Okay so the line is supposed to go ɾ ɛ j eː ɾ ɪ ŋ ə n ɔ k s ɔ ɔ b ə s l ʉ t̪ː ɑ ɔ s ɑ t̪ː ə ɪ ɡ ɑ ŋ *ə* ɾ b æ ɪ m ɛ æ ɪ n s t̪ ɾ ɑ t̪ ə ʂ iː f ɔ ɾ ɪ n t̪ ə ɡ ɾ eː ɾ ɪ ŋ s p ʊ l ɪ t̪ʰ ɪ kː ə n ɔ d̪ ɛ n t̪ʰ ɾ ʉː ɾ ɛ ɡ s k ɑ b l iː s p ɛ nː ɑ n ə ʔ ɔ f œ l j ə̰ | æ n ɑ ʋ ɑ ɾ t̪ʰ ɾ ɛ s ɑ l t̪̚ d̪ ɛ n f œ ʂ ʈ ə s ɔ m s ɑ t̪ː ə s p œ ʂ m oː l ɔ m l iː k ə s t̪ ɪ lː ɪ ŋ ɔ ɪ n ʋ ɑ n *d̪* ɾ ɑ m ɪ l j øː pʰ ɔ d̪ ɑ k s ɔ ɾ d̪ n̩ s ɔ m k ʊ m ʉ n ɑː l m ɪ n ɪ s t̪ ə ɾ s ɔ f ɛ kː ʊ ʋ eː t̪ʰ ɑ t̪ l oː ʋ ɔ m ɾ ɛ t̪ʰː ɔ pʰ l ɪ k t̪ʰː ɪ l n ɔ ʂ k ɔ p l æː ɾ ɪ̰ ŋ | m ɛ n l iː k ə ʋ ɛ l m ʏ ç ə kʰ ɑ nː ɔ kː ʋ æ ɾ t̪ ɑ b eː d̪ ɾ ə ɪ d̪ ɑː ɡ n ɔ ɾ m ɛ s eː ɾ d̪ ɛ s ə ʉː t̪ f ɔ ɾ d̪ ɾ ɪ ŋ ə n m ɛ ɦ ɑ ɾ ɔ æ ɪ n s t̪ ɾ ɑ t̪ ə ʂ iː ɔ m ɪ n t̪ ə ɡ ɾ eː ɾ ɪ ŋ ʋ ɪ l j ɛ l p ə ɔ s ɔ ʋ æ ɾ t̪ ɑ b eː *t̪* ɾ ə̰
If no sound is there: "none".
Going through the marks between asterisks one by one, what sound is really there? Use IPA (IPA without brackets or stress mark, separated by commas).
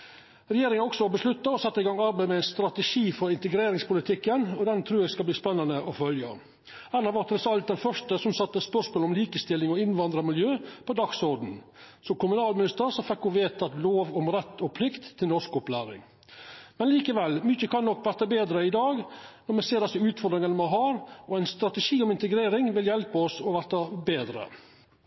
ɑ, d̪, d̪